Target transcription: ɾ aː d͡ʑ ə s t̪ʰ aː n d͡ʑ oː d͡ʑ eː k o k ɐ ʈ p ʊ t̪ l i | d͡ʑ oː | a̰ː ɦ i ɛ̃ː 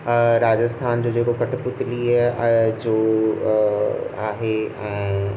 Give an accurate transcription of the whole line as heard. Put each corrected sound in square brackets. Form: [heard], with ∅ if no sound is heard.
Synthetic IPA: ɾ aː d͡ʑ ə s t̪ʰ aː n d͡ʑ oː d͡ʑ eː k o k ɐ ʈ p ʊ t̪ l i | d͡ʑ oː | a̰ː ɦ [e] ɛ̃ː